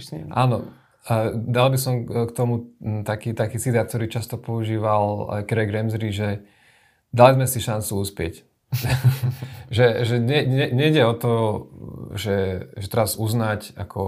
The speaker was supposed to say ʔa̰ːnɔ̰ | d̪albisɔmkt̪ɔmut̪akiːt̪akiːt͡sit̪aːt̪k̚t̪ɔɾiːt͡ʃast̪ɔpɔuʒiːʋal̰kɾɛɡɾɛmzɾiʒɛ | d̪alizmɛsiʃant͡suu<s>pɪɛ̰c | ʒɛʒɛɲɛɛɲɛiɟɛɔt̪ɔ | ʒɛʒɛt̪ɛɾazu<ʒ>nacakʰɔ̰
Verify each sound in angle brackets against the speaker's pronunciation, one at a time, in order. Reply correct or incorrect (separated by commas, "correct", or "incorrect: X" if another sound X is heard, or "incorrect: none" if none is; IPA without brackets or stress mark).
correct, incorrect: z